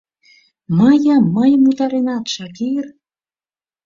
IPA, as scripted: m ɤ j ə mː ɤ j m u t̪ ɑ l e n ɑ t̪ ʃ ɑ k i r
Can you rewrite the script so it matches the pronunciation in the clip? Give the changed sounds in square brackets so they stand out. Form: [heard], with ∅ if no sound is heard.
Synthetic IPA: m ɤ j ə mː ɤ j m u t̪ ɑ [ɾ] e n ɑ t̪ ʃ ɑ k i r